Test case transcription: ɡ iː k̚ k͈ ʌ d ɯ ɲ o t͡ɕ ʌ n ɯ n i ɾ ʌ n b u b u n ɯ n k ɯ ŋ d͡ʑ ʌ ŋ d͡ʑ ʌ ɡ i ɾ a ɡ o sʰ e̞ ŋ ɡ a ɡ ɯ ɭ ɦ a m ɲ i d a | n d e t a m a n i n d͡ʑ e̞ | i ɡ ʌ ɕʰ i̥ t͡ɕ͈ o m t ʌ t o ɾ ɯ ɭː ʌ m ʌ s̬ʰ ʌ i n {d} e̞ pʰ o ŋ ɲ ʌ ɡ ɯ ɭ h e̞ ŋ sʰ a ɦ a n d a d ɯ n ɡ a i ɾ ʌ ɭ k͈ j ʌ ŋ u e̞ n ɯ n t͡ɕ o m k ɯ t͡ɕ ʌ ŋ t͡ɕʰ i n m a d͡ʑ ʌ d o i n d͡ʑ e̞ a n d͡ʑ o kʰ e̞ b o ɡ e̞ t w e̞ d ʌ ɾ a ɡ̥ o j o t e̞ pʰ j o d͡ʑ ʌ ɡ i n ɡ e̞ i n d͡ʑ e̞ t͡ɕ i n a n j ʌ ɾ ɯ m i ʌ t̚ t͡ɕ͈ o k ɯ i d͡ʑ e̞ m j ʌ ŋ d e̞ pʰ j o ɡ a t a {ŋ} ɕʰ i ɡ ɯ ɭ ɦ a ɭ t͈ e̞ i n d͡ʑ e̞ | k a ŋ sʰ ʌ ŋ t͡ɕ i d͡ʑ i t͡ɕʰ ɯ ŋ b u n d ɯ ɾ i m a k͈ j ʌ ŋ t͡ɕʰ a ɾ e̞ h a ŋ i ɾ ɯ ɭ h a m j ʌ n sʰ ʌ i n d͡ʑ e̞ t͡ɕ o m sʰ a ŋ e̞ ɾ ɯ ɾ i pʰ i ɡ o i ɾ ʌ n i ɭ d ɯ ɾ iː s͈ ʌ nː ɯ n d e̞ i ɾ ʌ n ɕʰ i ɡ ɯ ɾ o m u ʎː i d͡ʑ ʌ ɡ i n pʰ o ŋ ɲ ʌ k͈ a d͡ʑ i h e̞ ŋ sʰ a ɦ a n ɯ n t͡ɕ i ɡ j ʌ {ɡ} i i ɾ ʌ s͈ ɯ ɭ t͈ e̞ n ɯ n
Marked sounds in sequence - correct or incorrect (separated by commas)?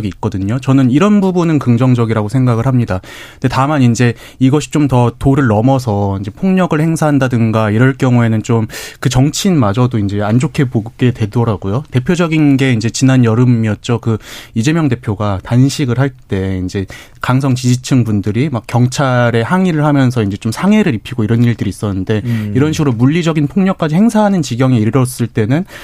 incorrect, incorrect, incorrect